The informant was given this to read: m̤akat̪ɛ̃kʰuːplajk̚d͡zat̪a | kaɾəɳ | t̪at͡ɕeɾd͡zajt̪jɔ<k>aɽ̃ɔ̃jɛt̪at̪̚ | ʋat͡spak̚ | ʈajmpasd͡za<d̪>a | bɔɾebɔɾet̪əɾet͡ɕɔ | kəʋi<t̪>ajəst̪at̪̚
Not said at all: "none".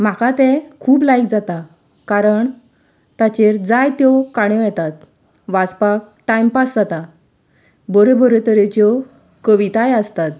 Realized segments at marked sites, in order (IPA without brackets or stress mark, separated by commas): k, t̪, t̪